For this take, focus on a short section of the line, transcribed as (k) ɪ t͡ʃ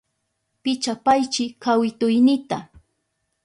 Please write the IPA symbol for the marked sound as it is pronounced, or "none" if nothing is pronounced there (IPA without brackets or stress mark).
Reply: p